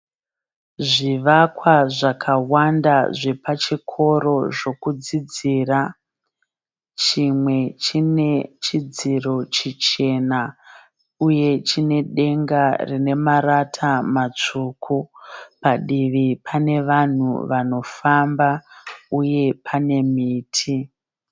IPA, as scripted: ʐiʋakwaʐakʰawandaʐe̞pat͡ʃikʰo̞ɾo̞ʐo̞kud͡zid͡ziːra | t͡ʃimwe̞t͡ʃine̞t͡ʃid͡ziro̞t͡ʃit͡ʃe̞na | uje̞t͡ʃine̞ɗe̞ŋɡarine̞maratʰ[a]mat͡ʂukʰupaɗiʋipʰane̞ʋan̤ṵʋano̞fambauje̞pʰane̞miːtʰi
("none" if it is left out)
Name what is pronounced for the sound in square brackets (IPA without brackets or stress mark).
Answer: a